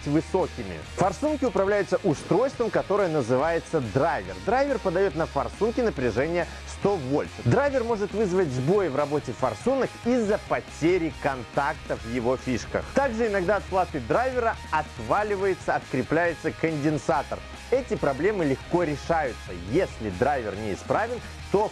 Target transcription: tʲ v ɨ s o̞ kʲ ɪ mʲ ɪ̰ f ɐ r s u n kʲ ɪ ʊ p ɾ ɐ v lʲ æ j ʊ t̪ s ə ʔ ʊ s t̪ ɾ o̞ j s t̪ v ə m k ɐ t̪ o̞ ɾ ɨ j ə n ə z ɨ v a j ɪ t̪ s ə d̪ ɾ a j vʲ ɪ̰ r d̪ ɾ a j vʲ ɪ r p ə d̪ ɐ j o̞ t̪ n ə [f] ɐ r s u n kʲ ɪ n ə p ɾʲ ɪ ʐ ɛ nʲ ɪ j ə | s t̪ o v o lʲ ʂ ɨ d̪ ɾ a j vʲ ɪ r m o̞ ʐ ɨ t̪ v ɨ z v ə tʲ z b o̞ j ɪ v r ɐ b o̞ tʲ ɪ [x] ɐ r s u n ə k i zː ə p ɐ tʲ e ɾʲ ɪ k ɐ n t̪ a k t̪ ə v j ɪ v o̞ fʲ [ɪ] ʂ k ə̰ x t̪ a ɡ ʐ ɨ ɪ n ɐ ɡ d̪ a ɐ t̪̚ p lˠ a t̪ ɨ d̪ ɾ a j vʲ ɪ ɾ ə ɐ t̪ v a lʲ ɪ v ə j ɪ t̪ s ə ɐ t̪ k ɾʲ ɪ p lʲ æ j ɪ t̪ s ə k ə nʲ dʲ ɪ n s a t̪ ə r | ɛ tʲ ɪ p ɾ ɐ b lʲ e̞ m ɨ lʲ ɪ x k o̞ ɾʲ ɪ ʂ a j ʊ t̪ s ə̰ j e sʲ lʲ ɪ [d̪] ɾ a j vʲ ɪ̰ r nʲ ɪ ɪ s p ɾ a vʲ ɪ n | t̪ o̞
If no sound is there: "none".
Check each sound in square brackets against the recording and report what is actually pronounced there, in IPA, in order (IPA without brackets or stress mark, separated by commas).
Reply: f, f, i, d̪